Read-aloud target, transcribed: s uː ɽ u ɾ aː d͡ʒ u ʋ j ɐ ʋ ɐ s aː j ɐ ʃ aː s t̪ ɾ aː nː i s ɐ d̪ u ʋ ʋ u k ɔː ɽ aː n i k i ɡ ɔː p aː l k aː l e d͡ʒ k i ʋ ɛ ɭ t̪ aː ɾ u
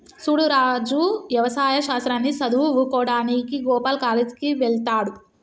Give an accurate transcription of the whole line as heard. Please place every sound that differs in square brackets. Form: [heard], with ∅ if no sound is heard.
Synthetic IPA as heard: s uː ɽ u ɾ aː d͡ʒ u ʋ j ɐ ʋ ɐ s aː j ɐ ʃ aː s t̪ ɾ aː nː i s ɐ d̪ u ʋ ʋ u k ɔː ɽ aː n i k i ɡ ɔː p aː l k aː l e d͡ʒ k i ʋ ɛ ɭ t̪ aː [ɽ] u

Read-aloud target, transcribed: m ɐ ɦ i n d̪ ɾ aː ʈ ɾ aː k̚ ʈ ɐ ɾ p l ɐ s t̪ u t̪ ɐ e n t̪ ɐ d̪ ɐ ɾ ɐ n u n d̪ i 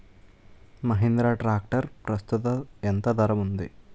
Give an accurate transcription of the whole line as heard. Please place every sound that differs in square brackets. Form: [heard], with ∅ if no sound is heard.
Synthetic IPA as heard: m ɐ ɦ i n d̪ ɾ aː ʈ ɾ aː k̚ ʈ ɐ ɾ p [ɾ] ɐ s t̪ u t̪ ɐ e n t̪ ɐ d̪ ɐ ɾ ɐ [m] u n d̪ i

